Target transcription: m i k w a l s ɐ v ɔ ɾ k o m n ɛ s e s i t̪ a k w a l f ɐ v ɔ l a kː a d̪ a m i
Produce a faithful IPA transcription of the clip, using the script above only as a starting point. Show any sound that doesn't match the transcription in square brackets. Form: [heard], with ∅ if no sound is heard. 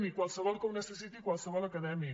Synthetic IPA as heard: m i k w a l s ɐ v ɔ [l] k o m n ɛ s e s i t̪ [i] k w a l [s] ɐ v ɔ l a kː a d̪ [ɛ] m i